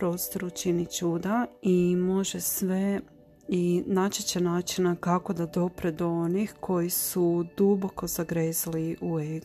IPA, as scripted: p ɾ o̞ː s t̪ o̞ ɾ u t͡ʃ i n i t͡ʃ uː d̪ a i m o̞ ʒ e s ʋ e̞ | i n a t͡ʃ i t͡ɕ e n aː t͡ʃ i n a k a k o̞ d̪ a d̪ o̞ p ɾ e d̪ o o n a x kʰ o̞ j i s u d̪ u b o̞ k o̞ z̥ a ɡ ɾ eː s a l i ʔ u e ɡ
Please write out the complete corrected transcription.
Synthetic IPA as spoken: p ɾ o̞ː s t̪ o̞ ɾ u t͡ʃ i n i t͡ʃ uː d̪ a i m o̞ ʒ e s ʋ e̞ | i n a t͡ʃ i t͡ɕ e n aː t͡ʃ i n a k a k o̞ d̪ a d̪ o̞ p ɾ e d̪ o o n i x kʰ o̞ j i s u d̪ u b o̞ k o̞ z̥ a ɡ ɾ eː z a l i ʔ u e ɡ